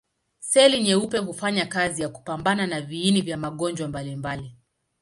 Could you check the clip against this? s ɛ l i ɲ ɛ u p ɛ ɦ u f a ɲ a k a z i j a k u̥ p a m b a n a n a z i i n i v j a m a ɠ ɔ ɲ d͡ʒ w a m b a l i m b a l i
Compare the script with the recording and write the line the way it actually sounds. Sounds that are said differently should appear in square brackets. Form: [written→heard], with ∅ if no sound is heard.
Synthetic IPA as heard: s ɛ l i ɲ ɛ u p ɛ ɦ u f a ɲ a k a z i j a k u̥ p a m b a n a n a [z→v] i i n i v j a m a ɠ ɔ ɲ d͡ʒ w a m b a l i m b a l i